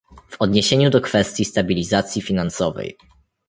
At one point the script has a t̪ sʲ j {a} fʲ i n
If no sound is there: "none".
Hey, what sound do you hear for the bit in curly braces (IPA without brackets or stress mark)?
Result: i